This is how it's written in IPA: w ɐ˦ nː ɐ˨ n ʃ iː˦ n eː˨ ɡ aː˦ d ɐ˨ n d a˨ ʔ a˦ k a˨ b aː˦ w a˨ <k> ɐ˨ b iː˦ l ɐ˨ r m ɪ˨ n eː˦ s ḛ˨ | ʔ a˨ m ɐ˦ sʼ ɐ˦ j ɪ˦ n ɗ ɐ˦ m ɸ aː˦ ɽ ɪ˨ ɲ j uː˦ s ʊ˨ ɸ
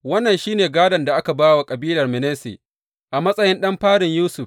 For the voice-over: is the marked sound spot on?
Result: no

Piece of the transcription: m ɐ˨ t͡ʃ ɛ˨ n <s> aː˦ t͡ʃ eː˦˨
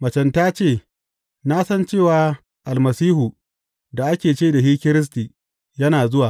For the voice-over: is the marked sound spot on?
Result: no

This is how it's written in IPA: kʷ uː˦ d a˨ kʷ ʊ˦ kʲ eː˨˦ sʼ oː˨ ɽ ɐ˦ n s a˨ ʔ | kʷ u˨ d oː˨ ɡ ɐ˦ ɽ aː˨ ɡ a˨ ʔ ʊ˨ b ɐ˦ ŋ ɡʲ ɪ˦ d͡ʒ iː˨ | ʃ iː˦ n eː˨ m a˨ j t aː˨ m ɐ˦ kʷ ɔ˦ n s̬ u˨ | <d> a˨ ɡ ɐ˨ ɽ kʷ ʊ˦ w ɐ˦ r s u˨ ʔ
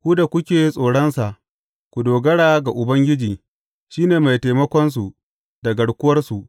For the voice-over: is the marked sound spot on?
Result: yes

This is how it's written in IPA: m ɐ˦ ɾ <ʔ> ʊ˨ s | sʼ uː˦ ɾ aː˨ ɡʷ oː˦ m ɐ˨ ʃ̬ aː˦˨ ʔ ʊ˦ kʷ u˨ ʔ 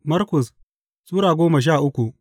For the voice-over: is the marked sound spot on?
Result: no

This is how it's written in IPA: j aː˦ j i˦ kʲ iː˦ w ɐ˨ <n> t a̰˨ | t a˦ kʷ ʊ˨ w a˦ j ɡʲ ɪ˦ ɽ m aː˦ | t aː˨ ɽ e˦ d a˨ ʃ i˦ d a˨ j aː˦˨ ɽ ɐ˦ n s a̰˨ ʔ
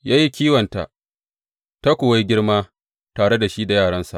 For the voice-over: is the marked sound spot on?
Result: yes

